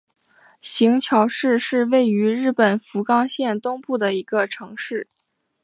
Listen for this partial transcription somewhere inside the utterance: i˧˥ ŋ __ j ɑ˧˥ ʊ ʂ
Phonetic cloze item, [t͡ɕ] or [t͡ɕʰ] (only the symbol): t͡ɕʰ